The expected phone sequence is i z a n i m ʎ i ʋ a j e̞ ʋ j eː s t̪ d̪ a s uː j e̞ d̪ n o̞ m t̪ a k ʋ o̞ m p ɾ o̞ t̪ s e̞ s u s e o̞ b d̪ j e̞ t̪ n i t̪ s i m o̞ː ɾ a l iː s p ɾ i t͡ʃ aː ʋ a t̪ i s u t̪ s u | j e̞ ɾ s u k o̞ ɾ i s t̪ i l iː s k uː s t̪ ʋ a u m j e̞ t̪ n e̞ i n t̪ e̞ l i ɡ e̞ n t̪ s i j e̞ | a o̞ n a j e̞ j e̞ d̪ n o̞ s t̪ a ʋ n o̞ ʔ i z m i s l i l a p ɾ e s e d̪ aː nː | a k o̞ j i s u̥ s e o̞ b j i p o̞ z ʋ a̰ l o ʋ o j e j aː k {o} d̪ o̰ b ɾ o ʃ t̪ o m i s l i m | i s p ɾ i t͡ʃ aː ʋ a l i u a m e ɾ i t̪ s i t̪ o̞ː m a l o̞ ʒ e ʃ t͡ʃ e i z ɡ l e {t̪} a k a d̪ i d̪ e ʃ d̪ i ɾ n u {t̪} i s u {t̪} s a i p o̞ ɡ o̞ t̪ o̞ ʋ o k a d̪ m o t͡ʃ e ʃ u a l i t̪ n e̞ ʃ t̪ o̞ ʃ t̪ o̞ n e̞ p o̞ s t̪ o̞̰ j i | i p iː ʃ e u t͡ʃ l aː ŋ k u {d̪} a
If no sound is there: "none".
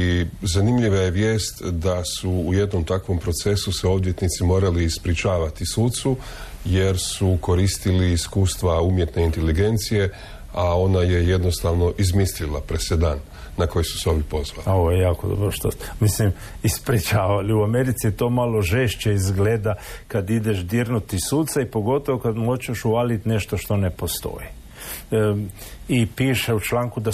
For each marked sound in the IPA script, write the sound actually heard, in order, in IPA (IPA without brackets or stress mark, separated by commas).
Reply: o, d̪, t̪, t̪, d̪